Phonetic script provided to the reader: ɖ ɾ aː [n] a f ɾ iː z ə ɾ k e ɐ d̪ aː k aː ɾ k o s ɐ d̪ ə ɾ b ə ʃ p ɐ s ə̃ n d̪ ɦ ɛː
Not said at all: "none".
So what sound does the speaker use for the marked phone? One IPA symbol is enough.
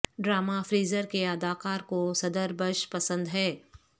m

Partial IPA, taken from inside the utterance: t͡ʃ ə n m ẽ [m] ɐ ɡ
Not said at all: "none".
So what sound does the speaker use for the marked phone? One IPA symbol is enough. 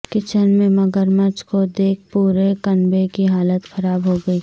m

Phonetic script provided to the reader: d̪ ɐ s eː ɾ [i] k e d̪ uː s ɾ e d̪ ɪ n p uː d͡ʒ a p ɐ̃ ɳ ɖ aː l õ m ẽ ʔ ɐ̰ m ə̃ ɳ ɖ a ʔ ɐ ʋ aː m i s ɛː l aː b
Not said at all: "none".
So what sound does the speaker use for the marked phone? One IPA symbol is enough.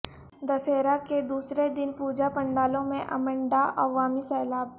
a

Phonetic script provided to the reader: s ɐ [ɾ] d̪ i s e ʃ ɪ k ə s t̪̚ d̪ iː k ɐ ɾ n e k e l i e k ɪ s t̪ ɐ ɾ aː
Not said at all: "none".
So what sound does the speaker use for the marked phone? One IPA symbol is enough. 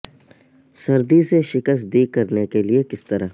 ɾ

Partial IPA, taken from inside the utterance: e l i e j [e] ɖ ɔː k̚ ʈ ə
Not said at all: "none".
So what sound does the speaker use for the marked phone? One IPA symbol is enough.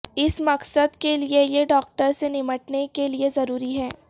e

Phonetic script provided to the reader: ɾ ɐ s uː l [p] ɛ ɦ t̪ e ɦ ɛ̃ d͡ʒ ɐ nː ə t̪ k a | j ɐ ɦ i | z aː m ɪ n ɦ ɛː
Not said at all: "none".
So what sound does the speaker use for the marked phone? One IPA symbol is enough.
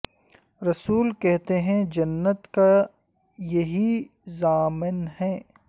k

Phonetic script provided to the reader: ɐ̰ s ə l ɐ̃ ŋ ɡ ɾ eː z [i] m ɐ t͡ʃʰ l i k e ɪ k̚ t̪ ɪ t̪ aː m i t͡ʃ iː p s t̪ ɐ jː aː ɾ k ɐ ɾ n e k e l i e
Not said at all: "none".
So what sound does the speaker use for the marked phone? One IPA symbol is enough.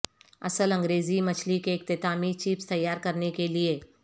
i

